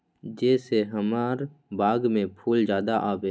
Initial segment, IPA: d͡ʒ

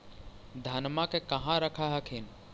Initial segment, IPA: d̪ʱ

